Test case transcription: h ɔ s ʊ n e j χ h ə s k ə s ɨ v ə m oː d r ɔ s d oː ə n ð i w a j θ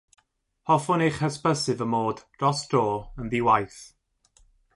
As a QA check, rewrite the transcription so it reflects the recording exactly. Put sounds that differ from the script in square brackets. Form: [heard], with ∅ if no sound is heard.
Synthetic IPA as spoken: h ɔ [f] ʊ n e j χ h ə s [p] ə s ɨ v ə m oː d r ɔ s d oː ə n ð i w a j θ